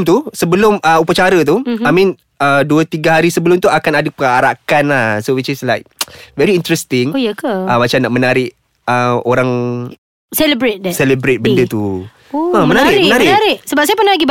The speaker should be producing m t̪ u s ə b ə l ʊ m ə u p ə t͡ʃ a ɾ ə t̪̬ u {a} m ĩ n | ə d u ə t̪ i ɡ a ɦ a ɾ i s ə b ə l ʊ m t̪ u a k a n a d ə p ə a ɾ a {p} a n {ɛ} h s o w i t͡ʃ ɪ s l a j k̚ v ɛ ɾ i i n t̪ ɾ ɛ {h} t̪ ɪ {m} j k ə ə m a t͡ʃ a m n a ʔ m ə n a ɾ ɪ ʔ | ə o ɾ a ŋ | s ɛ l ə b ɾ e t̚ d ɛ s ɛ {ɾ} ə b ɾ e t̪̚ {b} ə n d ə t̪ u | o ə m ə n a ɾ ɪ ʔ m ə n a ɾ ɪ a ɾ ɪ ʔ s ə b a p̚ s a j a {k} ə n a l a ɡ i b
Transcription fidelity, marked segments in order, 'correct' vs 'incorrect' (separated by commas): correct, incorrect, incorrect, incorrect, incorrect, incorrect, correct, incorrect